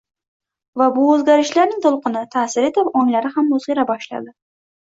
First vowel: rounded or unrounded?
unrounded